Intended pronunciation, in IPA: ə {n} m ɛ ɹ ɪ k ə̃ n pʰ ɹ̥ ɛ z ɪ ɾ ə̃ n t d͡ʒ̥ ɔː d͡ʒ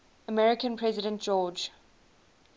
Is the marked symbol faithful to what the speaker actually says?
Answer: no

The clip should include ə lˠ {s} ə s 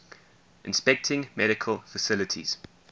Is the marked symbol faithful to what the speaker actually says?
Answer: no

